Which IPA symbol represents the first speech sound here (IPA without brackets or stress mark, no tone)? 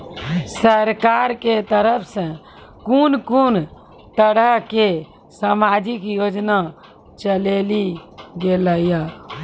s